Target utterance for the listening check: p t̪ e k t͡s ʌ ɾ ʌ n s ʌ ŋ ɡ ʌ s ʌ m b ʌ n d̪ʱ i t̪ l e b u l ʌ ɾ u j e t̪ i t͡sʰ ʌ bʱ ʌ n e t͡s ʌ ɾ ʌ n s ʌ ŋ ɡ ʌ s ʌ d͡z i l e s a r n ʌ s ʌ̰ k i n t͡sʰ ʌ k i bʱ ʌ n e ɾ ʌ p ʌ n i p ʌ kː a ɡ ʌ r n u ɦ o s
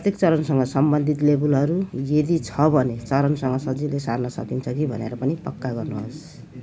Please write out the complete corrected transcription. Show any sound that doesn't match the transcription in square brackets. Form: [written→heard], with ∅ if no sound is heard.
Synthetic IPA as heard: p t̪ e k t͡s ʌ ɾ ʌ n s ʌ ŋ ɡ ʌ s ʌ m b ʌ n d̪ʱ i t̪ l e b u l ʌ ɾ u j e [t̪→d̪] i t͡sʰ ʌ bʱ ʌ n e t͡s ʌ ɾ ʌ n s ʌ ŋ ɡ ʌ s ʌ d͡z i l e s a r n ʌ s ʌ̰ k i n t͡sʰ ʌ k i bʱ ʌ n e ɾ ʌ p ʌ n i p ʌ kː a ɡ ʌ r n u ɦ o s